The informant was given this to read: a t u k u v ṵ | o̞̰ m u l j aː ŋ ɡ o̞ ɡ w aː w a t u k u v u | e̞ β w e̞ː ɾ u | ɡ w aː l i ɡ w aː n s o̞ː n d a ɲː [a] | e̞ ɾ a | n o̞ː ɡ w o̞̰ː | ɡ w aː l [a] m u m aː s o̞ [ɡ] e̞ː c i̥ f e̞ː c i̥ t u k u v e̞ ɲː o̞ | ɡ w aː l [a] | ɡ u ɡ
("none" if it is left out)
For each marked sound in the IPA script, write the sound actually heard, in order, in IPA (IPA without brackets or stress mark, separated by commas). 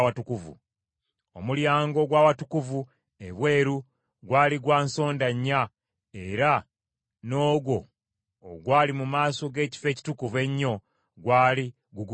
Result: a, i, ɡ, i